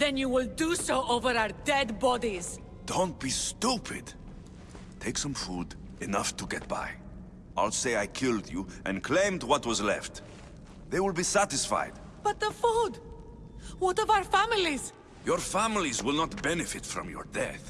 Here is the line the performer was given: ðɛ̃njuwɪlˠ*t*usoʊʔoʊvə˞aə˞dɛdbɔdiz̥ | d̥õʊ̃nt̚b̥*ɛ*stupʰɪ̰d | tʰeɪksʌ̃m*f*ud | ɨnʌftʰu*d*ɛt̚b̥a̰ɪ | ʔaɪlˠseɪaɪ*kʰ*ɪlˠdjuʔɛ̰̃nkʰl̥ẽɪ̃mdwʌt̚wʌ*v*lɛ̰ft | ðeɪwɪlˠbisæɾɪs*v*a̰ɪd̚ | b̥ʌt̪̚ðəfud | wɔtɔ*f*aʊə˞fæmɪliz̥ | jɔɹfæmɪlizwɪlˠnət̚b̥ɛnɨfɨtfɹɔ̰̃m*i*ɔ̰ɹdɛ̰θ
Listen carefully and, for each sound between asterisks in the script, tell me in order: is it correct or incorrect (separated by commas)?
incorrect, incorrect, correct, incorrect, correct, incorrect, incorrect, incorrect, incorrect